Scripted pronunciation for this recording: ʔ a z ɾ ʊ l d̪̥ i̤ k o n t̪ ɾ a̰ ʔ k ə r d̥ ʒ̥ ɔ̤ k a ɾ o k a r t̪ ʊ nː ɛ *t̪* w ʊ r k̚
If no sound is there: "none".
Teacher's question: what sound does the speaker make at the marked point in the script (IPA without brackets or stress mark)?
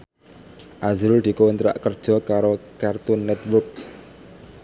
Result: t̪